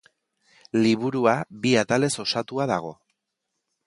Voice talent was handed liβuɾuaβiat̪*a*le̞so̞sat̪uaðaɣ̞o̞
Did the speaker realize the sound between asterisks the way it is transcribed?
yes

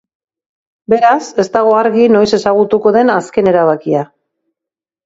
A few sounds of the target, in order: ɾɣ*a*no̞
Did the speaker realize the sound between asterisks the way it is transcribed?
no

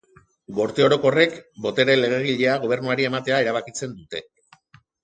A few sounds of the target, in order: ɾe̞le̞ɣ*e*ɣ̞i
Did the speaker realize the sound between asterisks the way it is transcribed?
yes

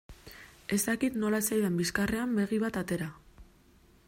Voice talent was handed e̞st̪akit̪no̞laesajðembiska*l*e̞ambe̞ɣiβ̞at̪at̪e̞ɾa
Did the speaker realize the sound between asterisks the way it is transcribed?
no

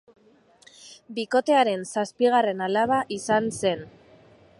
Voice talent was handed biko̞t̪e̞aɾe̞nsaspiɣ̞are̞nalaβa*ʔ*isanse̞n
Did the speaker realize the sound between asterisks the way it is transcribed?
yes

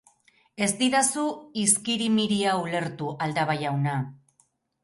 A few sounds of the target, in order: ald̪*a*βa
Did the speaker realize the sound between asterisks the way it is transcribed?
yes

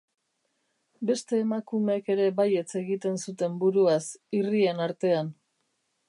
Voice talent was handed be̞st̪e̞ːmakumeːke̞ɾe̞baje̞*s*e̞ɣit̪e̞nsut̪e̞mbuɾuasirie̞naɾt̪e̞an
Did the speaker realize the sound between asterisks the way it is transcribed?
no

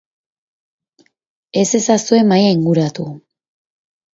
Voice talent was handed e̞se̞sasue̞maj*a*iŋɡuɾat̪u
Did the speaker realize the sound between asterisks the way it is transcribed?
yes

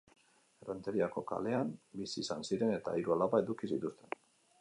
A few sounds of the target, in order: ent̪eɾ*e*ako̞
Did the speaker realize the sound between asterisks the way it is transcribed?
no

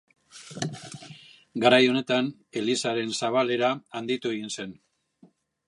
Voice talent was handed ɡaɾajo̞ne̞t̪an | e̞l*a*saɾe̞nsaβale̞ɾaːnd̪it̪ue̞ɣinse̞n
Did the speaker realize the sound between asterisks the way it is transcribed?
no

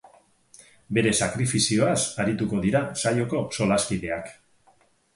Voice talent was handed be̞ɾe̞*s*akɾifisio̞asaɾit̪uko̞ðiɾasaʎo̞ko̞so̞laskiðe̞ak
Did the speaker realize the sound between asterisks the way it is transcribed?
yes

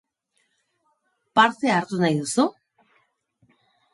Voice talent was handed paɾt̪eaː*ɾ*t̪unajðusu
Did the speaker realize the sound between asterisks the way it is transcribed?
yes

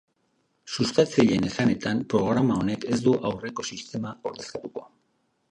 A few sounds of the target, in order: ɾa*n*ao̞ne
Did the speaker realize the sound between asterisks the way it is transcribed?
no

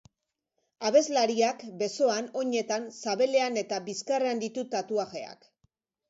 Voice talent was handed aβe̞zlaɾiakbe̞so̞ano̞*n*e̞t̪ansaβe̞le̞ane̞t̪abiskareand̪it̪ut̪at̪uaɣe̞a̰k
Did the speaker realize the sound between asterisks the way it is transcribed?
no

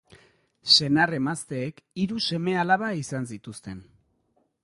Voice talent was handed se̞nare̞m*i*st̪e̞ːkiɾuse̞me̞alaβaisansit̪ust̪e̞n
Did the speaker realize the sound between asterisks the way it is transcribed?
no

